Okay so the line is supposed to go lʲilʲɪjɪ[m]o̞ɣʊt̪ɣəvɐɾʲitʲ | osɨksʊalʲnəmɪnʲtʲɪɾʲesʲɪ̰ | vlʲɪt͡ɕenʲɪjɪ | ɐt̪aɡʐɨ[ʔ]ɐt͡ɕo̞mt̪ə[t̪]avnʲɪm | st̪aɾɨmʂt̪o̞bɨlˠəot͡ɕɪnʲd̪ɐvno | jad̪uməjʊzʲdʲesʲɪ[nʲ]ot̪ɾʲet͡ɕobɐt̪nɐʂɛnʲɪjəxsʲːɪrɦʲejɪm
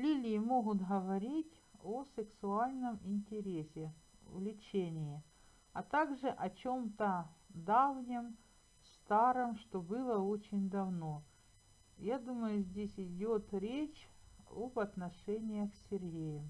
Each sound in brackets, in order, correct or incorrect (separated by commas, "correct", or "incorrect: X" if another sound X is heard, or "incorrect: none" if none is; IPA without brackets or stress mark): correct, correct, incorrect: d̪, incorrect: dʲ